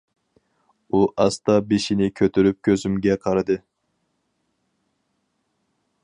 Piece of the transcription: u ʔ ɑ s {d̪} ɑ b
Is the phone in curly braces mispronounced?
yes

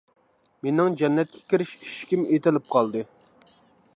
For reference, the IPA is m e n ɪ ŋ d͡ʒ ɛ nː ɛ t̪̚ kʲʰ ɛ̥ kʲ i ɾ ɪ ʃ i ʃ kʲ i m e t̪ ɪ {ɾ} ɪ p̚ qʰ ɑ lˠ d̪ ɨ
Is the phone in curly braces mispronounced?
yes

